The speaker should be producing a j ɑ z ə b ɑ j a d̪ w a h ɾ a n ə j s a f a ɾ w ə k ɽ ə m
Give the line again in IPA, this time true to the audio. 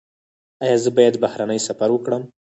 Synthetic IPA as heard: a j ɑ z ə b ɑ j a d̪ b a h ɾ a n ə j s a f a ɾ w ə k ɽ ə m